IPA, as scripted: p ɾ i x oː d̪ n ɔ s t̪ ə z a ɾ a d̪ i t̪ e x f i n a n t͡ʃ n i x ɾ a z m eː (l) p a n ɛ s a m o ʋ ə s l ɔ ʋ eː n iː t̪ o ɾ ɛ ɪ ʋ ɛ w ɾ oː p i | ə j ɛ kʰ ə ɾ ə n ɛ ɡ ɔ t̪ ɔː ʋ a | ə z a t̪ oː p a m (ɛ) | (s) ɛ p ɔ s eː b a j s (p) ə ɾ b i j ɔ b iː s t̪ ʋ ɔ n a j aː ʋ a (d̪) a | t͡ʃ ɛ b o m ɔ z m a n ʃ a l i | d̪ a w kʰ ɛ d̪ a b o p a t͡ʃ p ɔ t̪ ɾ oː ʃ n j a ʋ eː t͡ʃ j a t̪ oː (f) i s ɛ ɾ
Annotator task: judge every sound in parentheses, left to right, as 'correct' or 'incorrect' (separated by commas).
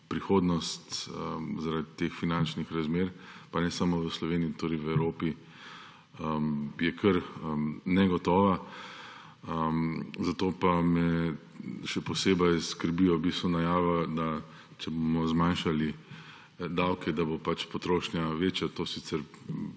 incorrect, correct, incorrect, incorrect, correct, incorrect